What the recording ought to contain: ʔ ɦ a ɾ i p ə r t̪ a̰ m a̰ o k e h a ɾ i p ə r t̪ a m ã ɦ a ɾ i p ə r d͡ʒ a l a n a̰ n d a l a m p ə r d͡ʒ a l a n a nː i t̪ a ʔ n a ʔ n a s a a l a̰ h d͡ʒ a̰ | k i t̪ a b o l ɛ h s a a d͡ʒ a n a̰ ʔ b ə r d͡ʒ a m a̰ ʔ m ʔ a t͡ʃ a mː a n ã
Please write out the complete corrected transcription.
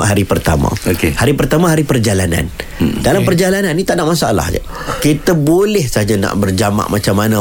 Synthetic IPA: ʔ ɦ a ɾ i p ə r t̪ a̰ m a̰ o k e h a ɾ i p ə r t̪ a m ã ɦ a ɾ i p ə r d͡ʒ a l a n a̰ n d a l a m p ə r d͡ʒ a l a n a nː i t̪ a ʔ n a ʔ m a s a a l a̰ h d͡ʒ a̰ | k i t̪ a b o l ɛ h s a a d͡ʒ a n a̰ ʔ b ə r d͡ʒ a m a̰ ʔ m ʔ a t͡ʃ a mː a n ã